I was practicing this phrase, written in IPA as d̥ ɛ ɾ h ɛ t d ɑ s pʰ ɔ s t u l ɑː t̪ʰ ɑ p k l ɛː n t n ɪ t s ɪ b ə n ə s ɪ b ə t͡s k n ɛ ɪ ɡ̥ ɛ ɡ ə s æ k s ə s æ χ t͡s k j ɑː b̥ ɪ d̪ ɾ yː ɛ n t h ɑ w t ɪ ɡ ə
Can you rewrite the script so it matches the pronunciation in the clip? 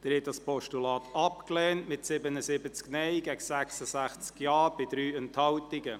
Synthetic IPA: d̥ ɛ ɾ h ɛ t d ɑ s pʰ ɔ ʃ t u l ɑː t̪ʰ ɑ p k l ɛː n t m ɪ t s ɪ b ə n ə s ɪ b ə t͡s k n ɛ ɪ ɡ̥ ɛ ɡ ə s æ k s ə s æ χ t͡s k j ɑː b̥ ɪ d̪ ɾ yː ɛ n t h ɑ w t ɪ ɡ ə